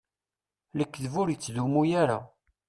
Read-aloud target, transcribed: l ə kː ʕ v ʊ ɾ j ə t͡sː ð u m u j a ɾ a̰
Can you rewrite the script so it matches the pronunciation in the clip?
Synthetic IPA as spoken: l ə kː ð v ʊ ɾ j ə t͡sː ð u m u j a ɾ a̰